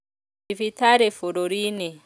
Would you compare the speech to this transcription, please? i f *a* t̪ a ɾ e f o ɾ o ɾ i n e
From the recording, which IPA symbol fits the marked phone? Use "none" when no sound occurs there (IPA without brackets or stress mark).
i